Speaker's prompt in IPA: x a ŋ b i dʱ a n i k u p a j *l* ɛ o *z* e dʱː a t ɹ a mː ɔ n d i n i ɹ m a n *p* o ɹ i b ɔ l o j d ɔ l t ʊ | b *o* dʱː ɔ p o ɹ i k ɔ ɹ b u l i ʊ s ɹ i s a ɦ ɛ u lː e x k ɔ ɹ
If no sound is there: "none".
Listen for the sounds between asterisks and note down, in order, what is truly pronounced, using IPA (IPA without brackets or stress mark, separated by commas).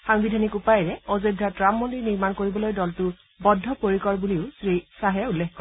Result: ɹ, z, k, ɔ